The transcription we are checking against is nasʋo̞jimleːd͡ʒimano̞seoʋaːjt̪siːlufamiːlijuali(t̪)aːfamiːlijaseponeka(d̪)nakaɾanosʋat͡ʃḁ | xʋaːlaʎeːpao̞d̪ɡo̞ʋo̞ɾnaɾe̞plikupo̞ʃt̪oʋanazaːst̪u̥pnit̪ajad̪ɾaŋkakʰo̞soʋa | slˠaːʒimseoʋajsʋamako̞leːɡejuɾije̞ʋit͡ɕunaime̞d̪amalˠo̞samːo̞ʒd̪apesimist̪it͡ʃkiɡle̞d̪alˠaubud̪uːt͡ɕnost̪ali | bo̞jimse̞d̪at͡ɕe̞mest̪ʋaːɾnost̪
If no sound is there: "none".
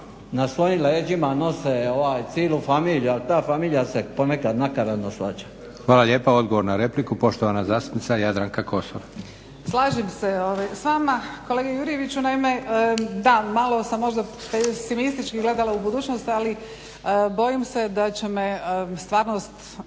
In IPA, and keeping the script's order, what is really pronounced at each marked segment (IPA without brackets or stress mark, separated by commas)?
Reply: t̪, d̪